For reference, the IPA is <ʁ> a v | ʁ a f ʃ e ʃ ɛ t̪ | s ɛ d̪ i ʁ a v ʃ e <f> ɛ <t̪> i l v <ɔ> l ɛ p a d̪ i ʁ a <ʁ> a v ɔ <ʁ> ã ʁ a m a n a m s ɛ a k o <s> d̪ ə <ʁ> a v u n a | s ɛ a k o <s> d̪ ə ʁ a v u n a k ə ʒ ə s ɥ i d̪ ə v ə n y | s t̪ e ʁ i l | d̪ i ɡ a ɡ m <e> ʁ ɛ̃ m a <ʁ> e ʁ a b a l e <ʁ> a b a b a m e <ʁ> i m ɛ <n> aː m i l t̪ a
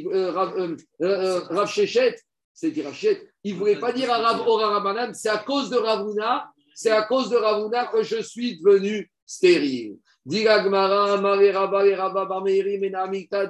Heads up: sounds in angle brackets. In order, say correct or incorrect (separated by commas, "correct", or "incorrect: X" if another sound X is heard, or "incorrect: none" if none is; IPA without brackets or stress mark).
correct, incorrect: ʃ, correct, incorrect: u, correct, correct, incorrect: z, correct, incorrect: z, incorrect: a, correct, correct, correct, correct